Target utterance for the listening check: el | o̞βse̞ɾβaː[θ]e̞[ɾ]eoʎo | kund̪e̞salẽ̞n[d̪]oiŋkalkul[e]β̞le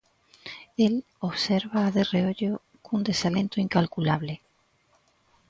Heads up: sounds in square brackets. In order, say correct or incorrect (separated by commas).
incorrect, incorrect, incorrect, incorrect